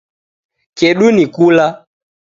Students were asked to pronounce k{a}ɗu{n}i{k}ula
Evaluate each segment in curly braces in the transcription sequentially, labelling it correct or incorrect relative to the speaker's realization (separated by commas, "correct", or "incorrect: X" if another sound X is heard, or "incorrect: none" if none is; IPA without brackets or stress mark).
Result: incorrect: ɛ, correct, correct